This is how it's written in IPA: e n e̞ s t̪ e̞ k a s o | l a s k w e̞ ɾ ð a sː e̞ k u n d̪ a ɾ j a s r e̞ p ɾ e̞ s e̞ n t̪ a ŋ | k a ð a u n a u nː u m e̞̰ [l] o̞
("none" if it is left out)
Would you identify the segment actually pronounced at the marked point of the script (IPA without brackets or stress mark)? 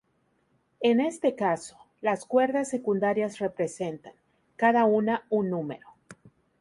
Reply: ɾ